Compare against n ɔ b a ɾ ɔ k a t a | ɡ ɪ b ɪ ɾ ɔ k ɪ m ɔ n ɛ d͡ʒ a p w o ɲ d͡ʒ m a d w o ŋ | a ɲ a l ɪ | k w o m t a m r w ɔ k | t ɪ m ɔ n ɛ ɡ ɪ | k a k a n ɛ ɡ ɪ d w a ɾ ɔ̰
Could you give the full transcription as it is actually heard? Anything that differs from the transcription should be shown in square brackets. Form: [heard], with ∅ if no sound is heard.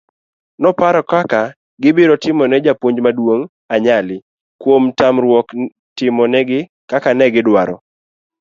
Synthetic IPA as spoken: n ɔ [p] a ɾ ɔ k a [k] a | ɡ ɪ b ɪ ɾ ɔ [t] ɪ m ɔ n ɛ d͡ʒ a p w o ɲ d͡ʒ m a d w o ŋ | a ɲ a l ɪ | k w o m t a m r w ɔ k | t ɪ m ɔ n ɛ ɡ ɪ | k a k a n ɛ ɡ ɪ d w a ɾ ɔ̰